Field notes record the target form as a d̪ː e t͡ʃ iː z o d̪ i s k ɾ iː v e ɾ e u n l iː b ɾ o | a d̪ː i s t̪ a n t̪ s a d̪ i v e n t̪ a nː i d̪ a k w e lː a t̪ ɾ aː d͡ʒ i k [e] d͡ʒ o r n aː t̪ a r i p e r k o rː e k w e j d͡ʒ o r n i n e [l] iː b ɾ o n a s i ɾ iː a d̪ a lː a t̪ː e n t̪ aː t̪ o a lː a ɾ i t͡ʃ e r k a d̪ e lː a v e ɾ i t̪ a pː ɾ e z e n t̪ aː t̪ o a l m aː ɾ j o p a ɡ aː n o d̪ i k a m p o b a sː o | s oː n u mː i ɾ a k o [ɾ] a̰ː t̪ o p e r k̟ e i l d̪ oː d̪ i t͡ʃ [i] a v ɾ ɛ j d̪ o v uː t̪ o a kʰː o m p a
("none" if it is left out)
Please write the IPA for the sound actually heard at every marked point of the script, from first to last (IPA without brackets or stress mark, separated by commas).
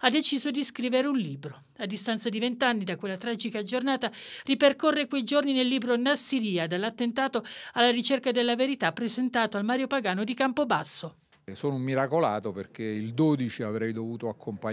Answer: a, lː, l, i